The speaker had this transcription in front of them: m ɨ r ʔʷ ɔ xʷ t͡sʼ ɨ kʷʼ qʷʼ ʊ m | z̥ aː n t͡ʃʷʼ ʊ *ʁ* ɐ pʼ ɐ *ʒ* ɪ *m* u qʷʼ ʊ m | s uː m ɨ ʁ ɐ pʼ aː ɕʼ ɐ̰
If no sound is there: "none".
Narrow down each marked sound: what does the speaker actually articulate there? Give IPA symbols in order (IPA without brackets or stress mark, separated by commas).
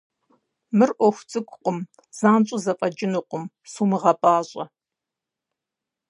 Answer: z, d͡ʒ, n